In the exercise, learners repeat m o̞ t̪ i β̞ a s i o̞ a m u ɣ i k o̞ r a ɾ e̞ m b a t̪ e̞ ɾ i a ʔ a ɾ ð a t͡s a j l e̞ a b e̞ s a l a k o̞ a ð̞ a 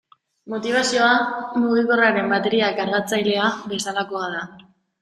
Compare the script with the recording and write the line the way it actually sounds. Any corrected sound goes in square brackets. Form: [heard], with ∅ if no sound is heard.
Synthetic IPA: m o̞ t̪ i β̞ a s i o̞ a m u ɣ i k o̞ r a ɾ e̞ m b a t̪ e̞ ɾ i a [k] a ɾ [ɣ] a t͡s a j l e̞ a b e̞ s a l a k o̞ a ð̞ a